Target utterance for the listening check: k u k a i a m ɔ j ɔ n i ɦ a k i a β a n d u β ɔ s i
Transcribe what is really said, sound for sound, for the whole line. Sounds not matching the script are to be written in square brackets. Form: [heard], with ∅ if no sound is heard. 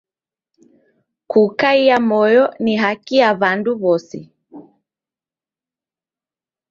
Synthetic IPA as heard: k u k a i a m ɔ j ɔ n i ɦ a k i a β a n d u β ɔ s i